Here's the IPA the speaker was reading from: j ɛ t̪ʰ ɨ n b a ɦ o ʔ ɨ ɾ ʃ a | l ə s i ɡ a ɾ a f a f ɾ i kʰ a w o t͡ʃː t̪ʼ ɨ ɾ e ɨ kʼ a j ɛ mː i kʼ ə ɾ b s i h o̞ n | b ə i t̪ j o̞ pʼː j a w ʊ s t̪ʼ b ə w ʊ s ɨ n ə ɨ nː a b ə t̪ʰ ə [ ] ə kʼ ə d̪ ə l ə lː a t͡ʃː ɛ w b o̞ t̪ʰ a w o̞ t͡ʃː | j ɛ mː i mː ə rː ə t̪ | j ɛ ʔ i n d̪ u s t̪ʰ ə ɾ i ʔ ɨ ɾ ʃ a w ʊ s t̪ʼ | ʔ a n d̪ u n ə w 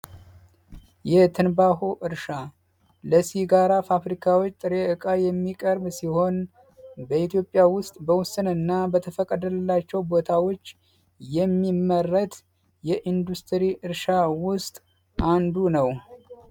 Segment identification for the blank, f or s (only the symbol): f